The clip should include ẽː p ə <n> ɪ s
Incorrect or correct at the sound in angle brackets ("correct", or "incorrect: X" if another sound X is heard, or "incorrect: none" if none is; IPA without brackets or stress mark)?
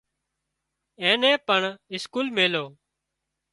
incorrect: ɳ